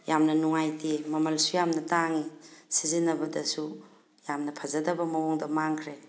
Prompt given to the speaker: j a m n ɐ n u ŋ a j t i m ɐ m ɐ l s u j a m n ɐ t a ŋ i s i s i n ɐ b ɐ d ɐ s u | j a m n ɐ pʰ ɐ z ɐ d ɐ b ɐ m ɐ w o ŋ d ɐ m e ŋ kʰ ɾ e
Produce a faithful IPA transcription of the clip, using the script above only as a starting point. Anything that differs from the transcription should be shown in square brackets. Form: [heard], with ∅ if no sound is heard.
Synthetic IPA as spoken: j a m n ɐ n u ŋ a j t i m ɐ m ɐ l s u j a m n ɐ t a ŋ i s i [z] i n ɐ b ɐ d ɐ s u | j a m n ɐ pʰ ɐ z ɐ d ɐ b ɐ m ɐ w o ŋ d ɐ m [a] ŋ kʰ ɾ e